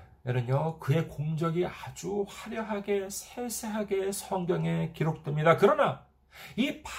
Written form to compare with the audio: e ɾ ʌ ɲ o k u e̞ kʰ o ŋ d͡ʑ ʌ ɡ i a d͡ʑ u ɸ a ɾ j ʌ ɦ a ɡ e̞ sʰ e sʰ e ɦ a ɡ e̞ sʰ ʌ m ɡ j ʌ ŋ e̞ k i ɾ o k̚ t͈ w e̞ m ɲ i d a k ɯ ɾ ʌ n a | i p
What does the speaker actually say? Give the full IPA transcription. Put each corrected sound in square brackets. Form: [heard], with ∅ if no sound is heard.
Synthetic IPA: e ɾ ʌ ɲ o k [ɯ] e̞ [k] o ŋ d͡ʑ ʌ ɡ i a d͡ʑ u ɸ a ɾ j ʌ ɦ a ɡ e̞ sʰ e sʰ e ɦ a ɡ e̞ sʰ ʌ [ŋ] ɡ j ʌ ŋ e̞ k i ɾ o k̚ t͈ w e̞ m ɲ i d a k ɯ ɾ ʌ n a | i p